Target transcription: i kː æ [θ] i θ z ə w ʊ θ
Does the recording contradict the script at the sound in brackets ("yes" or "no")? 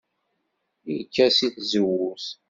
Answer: yes